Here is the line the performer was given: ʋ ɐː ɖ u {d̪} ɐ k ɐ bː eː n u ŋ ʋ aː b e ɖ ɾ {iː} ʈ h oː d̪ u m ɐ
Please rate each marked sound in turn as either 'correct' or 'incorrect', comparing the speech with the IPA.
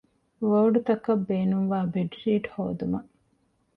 incorrect: t̪, correct

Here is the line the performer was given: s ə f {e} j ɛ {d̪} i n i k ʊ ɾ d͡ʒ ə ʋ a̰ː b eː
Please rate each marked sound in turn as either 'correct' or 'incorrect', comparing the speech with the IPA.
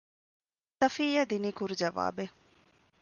incorrect: i, correct

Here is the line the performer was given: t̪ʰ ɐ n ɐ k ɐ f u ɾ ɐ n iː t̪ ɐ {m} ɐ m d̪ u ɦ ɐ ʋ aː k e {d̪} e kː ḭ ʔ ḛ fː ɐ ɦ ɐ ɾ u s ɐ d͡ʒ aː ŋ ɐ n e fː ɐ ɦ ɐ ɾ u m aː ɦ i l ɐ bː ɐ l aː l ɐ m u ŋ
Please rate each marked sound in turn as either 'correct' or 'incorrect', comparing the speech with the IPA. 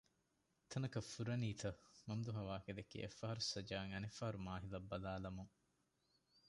correct, correct

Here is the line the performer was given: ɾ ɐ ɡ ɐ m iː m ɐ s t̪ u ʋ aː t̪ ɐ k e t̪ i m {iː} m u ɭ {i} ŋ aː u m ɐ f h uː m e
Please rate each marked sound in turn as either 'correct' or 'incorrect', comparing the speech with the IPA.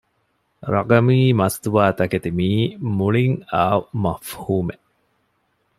correct, correct

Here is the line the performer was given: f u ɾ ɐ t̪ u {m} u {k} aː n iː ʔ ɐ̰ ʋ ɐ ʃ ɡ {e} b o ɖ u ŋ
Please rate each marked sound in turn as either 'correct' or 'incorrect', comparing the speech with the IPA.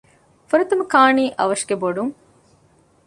correct, correct, correct

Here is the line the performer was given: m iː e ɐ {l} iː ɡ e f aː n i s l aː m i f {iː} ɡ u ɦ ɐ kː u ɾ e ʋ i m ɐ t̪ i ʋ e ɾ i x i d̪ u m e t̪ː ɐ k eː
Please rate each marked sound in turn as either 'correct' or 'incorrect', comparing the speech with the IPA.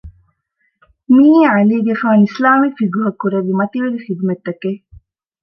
correct, incorrect: i

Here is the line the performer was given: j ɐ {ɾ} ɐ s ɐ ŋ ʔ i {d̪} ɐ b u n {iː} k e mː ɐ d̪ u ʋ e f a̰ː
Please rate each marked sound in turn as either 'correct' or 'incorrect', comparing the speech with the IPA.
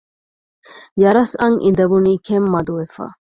correct, correct, correct

